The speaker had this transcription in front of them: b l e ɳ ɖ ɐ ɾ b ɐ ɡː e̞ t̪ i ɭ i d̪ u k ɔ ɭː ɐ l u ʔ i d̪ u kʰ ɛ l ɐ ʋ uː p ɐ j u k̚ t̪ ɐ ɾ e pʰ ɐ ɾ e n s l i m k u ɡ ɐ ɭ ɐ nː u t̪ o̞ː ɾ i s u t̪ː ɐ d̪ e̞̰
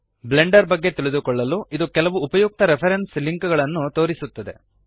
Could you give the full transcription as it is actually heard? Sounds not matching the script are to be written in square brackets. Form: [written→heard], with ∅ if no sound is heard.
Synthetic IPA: b l e ɳ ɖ ɐ ɾ b ɐ ɡː e̞ t̪ i ɭ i d̪ u k ɔ ɭː ɐ l u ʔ i d̪ u [kʰ→k] ɛ l ɐ ʋ uː p ɐ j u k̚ t̪ ɐ ɾ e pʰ ɐ ɾ e n s l i [m→ŋ] k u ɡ ɐ ɭ ɐ nː u t̪ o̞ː ɾ i s u t̪ː ɐ d̪ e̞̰